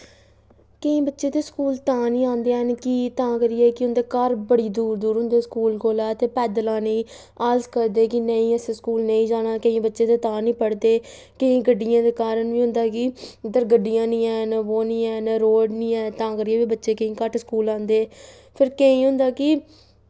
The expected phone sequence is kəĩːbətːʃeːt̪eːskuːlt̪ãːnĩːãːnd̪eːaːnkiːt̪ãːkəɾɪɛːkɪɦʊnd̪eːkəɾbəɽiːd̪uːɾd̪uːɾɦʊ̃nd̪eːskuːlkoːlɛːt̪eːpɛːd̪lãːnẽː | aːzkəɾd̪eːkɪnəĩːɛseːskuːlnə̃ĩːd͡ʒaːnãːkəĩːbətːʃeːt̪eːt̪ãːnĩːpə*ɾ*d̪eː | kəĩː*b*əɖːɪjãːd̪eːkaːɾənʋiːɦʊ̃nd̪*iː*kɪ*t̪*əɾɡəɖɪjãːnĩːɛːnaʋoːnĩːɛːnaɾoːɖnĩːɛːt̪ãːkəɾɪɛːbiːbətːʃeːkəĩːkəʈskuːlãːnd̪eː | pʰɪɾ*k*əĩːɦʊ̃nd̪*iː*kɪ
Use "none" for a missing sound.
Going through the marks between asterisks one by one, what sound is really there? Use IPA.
ɽ, ɡ, aː, d̪, k, aː

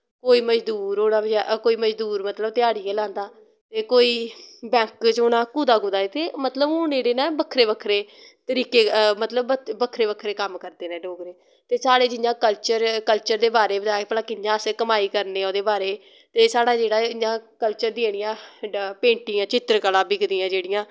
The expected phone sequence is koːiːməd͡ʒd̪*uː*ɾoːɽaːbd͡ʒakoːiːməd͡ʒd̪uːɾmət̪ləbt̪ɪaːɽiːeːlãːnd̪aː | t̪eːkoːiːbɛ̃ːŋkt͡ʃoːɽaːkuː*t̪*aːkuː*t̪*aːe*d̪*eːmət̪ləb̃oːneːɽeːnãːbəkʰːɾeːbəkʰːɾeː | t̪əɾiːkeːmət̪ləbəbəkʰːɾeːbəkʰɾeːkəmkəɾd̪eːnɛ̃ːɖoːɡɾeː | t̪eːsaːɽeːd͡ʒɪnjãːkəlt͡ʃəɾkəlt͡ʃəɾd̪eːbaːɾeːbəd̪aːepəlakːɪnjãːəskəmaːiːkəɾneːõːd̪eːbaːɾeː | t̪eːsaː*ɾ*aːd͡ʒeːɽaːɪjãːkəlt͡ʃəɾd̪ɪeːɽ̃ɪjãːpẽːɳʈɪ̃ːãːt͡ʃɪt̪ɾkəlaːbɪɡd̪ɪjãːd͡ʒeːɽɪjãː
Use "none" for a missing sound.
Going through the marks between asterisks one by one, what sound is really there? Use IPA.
uː, d̪, d̪, t̪, ɽ

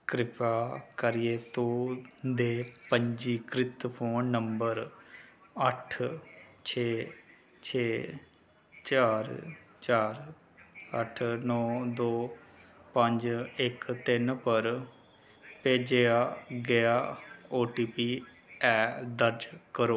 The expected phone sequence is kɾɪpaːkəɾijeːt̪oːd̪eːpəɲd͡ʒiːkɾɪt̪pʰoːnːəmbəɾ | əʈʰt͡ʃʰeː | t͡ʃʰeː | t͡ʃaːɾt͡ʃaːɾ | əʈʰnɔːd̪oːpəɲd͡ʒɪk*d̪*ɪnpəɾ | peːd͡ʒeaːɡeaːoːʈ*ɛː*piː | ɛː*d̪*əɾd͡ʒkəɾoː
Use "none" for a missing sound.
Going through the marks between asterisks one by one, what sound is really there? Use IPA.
t̪, iː, d̪

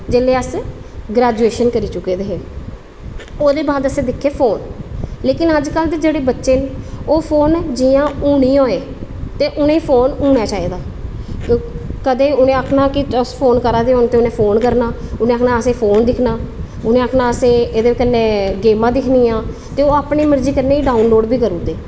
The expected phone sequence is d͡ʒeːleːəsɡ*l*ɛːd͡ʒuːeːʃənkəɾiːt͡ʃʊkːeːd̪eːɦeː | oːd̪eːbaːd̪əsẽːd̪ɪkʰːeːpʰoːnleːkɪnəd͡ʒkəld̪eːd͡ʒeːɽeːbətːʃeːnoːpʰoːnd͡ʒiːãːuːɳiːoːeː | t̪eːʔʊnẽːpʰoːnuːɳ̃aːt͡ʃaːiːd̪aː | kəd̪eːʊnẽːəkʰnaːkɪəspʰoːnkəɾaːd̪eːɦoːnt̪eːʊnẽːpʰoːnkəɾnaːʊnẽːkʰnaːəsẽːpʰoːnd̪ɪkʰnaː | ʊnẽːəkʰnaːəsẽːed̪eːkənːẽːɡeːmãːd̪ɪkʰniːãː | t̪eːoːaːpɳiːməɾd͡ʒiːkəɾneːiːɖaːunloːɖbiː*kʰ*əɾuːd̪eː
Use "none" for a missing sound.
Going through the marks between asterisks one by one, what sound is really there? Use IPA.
ɾ, k

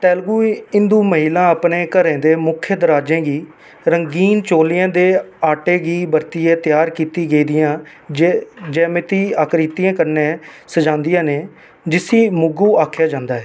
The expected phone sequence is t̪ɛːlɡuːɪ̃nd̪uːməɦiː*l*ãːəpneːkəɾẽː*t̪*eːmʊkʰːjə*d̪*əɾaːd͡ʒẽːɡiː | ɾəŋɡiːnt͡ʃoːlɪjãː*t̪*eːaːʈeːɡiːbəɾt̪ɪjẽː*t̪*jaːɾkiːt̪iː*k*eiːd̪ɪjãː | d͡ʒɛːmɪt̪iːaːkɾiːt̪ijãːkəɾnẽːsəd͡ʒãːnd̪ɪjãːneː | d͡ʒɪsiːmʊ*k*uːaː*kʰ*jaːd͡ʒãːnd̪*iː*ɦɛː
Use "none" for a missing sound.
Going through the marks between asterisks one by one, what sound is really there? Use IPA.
l, d̪, d̪, d̪, t̪, ɡ, ɡ, kʰ, aː

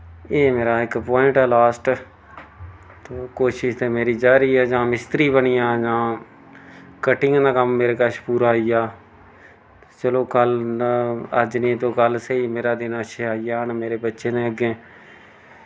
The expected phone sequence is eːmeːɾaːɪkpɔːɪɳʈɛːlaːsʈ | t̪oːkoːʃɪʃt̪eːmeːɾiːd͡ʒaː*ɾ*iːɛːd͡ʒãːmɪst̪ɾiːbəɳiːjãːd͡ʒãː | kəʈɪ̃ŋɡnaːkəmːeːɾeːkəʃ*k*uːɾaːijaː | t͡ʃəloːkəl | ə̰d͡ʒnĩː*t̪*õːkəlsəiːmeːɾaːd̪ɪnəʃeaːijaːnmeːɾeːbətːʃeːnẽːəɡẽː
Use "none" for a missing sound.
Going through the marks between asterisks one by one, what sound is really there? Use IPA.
ɾ, p, t̪

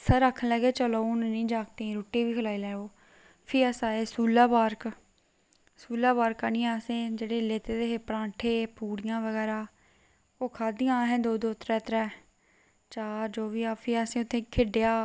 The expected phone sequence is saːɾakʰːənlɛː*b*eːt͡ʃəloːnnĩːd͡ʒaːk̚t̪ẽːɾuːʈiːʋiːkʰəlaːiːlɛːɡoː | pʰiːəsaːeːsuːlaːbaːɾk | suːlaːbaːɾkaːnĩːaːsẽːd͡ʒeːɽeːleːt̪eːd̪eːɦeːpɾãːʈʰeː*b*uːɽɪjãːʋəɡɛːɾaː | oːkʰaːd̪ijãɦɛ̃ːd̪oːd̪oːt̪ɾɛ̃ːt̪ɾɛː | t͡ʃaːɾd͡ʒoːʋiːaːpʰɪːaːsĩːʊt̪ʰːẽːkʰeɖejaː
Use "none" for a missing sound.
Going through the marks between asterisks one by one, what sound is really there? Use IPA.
ɡ, p

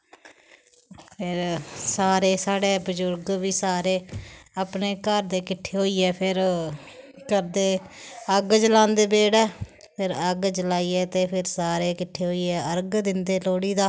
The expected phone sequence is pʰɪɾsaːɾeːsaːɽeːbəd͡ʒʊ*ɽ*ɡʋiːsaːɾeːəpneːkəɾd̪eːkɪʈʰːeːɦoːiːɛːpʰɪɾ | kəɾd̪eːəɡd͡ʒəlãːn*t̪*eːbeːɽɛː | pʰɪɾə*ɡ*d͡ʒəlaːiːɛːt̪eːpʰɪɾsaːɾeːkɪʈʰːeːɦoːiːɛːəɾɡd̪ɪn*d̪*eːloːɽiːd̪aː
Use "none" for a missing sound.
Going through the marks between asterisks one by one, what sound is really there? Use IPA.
ɾ, d̪, ɡ, d̪

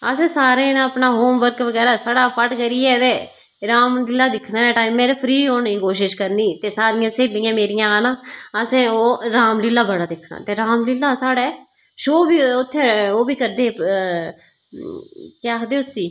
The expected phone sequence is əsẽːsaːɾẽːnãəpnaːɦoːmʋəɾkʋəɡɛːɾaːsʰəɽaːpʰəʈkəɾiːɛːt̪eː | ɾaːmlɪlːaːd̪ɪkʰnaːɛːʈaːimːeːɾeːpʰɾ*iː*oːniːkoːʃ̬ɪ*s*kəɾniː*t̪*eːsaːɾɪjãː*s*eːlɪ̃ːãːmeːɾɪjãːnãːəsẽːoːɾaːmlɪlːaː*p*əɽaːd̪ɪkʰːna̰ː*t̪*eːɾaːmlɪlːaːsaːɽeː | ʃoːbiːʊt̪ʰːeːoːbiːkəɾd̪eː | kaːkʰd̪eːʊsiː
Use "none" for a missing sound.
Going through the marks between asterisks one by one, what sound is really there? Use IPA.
iː, ʃ, t̪, s, b, t̪

